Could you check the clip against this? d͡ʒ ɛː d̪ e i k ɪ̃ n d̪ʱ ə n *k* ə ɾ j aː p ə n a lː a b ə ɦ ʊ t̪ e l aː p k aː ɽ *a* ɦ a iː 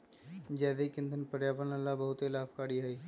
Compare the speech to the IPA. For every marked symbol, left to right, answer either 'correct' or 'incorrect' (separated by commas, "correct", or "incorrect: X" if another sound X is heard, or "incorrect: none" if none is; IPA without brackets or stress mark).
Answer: incorrect: p, incorrect: i